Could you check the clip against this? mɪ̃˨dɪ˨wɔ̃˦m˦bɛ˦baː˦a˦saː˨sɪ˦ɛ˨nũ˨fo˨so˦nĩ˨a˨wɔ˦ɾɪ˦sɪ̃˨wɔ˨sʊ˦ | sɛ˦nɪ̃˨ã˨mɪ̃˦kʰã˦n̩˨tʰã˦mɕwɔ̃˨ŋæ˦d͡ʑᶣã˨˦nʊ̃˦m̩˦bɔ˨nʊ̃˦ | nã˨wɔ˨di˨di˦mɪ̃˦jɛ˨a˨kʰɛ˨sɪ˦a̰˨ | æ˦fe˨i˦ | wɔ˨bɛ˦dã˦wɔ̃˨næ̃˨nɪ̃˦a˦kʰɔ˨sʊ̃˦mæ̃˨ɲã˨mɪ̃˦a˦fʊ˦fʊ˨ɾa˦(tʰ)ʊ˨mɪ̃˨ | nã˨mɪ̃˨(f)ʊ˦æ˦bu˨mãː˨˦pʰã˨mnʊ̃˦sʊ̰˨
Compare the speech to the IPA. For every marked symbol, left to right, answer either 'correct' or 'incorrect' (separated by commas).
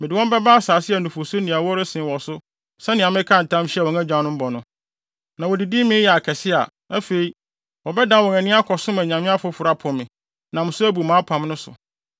incorrect, incorrect